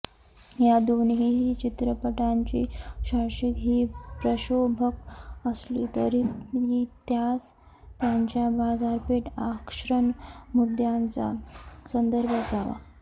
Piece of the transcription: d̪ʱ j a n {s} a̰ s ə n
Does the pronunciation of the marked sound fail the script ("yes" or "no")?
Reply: yes